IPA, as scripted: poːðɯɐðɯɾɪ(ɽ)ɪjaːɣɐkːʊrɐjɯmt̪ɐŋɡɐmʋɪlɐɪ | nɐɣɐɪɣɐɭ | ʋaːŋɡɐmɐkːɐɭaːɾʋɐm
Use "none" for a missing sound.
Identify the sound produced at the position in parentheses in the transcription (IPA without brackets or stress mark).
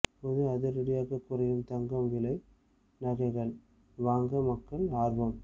ɽ